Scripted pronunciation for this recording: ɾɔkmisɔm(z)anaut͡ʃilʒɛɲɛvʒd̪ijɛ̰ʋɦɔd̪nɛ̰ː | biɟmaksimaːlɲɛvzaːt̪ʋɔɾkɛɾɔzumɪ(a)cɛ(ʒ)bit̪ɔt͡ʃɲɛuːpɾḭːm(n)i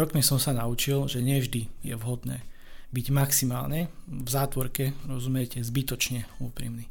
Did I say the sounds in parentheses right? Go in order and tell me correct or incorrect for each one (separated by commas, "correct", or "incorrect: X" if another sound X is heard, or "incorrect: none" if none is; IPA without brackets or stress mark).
incorrect: s, incorrect: ɛ, incorrect: z, correct